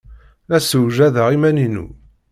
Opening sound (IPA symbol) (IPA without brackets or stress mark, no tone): æ